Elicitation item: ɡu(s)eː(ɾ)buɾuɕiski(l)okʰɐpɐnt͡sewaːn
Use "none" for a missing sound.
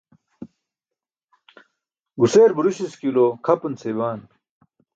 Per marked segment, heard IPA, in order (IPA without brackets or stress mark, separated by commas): s, ɾ, l